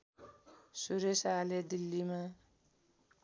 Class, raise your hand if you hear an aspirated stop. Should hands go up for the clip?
no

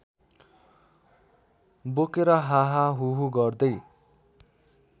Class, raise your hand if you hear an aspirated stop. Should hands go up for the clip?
no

